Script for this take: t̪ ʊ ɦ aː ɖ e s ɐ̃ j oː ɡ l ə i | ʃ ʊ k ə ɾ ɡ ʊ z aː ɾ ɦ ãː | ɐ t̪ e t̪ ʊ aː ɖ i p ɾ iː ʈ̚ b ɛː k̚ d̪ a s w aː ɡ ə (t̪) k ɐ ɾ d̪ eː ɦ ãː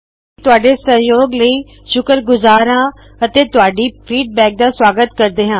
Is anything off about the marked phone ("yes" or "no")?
no